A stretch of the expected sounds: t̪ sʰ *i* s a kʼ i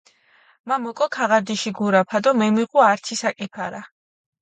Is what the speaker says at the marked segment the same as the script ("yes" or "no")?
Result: yes